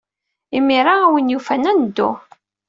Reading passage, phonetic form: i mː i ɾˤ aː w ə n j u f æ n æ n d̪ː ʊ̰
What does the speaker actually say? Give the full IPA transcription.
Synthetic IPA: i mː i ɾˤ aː w ə n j u f æ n æ n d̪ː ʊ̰